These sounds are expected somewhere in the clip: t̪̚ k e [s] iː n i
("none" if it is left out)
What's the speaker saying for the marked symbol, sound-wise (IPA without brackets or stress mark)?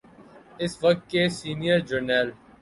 s